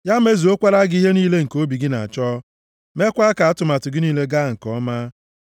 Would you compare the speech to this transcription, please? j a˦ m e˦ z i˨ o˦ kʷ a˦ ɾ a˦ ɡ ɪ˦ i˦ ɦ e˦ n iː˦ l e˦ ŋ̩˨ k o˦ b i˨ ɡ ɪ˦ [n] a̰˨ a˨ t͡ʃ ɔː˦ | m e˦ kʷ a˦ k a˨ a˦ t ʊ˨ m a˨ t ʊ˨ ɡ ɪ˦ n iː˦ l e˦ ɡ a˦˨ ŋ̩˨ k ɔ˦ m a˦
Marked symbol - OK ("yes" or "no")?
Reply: yes